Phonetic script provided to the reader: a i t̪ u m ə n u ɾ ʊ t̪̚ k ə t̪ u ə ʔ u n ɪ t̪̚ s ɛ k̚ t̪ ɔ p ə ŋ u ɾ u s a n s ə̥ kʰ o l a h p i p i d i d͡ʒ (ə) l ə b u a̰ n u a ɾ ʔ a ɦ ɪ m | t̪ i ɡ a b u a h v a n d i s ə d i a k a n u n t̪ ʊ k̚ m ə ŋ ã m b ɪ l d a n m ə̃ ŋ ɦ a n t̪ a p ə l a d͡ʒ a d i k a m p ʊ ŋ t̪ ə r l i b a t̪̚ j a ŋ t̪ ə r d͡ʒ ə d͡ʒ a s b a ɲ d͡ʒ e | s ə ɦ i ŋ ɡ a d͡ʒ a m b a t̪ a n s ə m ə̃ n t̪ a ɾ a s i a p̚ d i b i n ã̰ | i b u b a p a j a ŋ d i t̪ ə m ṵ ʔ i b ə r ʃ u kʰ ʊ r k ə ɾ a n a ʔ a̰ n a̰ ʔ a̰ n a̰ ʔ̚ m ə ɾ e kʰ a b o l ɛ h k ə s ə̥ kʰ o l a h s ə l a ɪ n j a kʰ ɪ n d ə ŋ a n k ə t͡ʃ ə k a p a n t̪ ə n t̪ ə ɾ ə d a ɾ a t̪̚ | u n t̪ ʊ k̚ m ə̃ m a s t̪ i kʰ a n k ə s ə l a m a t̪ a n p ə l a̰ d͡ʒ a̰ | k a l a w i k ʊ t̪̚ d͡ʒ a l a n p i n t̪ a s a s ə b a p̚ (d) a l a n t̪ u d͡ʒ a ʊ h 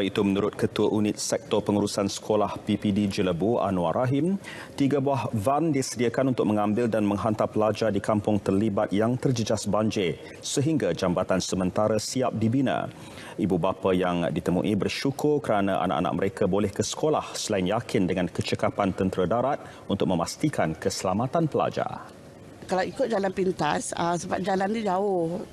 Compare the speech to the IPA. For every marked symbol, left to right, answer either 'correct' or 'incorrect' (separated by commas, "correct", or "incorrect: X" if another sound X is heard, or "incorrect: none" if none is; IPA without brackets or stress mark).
correct, incorrect: d͡ʒ